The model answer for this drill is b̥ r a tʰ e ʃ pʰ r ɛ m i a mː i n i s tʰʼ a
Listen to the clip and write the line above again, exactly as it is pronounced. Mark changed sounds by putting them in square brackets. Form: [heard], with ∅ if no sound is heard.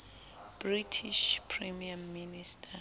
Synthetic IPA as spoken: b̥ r [i] tʰ [i] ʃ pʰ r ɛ m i a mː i n i s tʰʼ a